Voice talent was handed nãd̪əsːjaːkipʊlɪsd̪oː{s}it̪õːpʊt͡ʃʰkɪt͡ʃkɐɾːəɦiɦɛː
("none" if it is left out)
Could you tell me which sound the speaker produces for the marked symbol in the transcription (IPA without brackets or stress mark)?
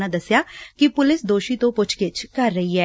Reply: ʃ